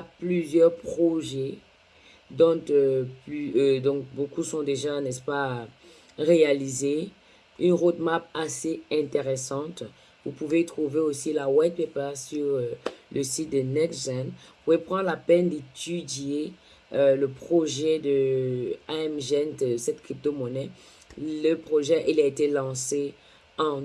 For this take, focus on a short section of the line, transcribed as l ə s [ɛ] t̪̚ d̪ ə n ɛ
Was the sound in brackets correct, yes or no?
no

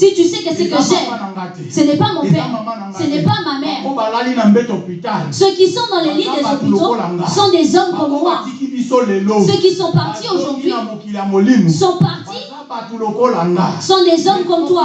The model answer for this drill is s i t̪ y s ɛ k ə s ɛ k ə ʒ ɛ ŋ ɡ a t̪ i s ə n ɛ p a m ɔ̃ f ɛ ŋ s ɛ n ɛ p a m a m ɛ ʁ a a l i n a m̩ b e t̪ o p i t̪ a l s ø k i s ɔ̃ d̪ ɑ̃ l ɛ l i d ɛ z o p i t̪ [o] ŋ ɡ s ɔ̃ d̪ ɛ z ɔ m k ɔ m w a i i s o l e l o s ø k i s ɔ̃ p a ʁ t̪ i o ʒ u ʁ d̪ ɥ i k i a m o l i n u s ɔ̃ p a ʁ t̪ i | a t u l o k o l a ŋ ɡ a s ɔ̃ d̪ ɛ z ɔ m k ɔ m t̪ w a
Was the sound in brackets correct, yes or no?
yes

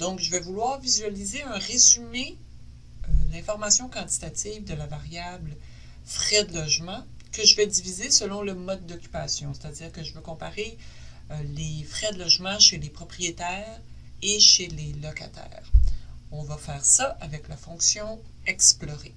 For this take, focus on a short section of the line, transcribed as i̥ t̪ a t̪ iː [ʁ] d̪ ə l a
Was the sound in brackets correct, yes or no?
no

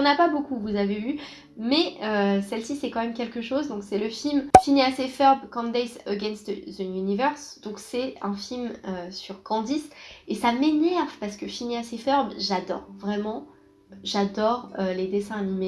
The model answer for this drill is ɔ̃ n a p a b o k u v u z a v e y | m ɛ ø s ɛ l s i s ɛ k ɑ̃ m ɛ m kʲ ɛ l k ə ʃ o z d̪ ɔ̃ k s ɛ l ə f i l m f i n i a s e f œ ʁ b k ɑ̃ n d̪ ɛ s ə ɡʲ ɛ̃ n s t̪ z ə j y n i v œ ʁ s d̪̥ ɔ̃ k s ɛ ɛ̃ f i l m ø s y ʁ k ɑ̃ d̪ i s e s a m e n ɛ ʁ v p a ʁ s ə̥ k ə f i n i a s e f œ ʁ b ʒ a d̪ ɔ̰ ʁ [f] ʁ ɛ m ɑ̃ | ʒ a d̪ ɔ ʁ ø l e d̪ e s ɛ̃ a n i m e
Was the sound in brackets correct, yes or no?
no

